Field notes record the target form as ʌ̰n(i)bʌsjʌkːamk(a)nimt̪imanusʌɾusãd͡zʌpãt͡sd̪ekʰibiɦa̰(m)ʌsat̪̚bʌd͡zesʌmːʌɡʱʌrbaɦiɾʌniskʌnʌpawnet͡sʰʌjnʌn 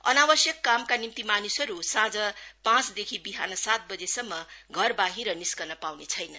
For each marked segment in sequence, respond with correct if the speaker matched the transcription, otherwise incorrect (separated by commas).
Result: incorrect, correct, incorrect